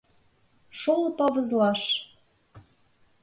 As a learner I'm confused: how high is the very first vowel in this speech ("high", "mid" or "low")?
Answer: mid